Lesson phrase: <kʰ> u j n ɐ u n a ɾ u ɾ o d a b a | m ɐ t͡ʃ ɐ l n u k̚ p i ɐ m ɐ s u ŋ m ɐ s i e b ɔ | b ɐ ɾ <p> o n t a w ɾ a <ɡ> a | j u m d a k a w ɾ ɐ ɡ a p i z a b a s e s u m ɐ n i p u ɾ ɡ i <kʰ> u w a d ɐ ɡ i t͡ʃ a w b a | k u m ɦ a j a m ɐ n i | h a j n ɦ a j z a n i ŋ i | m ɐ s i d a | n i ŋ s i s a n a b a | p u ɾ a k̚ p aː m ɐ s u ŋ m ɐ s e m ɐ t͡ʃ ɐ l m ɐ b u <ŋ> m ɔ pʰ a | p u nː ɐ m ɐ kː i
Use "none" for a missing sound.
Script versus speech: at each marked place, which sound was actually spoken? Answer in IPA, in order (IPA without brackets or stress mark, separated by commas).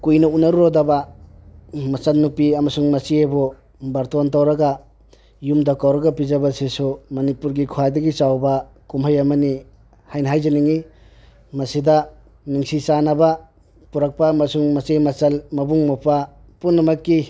k, t, ɡ, kʰ, ŋ